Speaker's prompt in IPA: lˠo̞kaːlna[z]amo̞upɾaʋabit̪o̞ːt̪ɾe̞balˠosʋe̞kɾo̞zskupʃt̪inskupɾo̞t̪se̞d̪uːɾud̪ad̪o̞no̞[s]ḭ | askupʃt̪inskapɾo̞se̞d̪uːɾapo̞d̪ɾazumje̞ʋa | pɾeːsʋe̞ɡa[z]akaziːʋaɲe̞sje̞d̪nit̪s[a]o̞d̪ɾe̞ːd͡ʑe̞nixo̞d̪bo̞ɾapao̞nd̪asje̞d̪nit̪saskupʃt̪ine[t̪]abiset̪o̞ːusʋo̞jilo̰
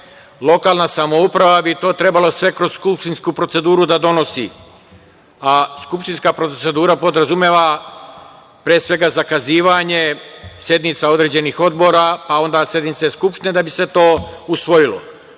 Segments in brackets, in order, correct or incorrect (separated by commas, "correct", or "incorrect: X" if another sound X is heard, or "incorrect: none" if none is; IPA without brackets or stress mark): incorrect: s, correct, correct, correct, incorrect: d̪